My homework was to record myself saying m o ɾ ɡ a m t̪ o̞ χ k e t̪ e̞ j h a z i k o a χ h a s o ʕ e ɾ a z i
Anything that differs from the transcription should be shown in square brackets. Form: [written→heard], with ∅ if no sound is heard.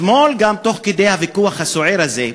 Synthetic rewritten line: m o [ɾ→l] ɡ a m t̪ o̞ χ k e [t̪→d̪] e̞ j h a [z→v] i k [o→u] a χ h a s o ʕ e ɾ a z [i→e]